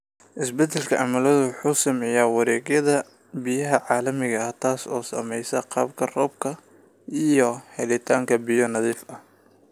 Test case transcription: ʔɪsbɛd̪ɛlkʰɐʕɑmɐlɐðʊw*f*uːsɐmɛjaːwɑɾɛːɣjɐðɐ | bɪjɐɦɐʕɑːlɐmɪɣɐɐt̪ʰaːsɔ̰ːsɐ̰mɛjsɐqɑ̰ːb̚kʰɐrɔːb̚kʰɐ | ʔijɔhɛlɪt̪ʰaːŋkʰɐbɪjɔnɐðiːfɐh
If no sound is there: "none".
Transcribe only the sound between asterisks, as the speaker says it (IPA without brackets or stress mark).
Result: ħ